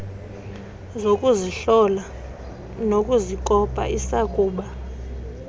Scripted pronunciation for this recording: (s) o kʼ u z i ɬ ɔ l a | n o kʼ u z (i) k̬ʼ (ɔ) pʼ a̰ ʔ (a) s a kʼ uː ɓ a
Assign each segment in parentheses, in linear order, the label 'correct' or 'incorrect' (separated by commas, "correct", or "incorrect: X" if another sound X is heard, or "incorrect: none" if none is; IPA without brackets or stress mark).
incorrect: z, correct, correct, incorrect: i